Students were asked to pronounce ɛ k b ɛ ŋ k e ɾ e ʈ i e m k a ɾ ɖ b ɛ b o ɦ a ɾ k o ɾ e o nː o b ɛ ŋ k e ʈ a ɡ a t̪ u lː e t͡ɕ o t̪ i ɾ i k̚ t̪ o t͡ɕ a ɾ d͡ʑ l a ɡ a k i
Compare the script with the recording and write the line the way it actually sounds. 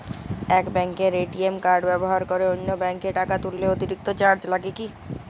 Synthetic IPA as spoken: ɛ k b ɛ ŋ k e ɾ e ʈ i e m k a ɾ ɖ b ɛ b o ɦ a ɾ k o ɾ e o nː o b ɛ ŋ k e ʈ a k a t̪ u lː e o t̪ i ɾ i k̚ t̪ o t͡ɕ a ɾ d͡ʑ l a ɡ e k i